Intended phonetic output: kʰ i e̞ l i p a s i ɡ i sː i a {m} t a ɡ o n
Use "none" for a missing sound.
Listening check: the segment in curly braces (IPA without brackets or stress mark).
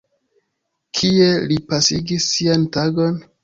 n